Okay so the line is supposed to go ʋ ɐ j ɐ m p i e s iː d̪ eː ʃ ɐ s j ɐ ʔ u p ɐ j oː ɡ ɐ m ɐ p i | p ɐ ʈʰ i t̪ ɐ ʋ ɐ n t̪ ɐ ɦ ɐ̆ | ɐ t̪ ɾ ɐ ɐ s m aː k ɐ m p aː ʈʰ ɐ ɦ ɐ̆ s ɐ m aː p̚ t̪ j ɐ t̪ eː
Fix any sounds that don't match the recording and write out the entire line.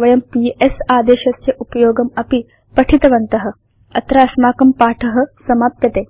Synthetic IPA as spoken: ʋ ɐ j ɐ m p i e s aː d̪ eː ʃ ɐ s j ɐ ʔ u p ɐ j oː ɡ ɐ m ɐ p i | p ɐ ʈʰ i t̪ ɐ ʋ ɐ n t̪ ɐ ɦ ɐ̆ | ɐ t̪ ɾ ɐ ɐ s m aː k ɐ m p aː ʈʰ ɐ ɦ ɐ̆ s ɐ m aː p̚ t̪ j ɐ t̪ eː